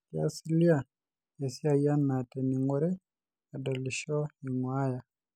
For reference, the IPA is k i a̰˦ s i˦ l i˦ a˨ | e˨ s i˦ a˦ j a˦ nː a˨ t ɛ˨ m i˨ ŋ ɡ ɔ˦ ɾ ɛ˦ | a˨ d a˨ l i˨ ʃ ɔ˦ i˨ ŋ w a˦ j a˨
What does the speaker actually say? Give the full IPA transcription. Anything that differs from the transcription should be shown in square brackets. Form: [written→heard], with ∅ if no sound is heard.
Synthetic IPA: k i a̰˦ s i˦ l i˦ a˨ | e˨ s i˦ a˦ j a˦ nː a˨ t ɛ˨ [m→n] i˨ ŋ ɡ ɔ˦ ɾ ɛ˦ | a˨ d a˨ l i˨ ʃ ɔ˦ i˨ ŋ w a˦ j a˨